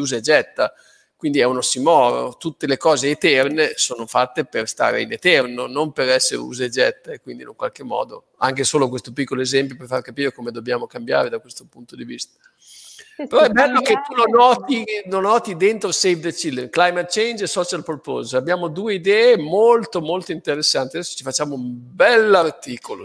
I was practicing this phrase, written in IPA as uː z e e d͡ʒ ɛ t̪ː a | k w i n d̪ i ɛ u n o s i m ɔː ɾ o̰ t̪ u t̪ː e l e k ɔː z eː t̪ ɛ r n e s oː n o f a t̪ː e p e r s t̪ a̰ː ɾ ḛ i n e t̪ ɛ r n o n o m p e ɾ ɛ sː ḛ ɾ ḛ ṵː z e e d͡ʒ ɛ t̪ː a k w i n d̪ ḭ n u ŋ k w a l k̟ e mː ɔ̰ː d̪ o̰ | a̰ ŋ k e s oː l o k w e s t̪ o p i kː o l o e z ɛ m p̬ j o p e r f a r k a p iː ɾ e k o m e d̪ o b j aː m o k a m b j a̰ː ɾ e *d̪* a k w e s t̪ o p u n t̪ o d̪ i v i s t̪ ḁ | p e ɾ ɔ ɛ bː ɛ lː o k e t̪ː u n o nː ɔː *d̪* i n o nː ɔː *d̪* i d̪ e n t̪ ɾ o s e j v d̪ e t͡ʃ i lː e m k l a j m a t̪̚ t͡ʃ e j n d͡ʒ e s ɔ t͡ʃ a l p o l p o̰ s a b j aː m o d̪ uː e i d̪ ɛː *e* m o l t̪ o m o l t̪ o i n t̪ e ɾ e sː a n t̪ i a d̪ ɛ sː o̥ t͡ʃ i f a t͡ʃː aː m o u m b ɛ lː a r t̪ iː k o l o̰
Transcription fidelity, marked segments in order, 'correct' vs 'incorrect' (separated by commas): correct, incorrect, incorrect, correct